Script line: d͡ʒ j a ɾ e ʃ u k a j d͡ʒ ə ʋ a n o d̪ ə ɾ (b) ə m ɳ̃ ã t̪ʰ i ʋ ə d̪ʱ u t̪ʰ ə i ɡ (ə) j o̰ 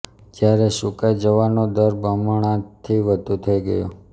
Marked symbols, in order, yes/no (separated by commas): yes, yes